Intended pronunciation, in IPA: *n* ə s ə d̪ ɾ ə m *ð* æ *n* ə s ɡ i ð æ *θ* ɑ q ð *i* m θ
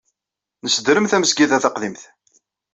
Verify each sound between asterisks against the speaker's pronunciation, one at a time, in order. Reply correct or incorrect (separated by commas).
correct, incorrect, incorrect, correct, correct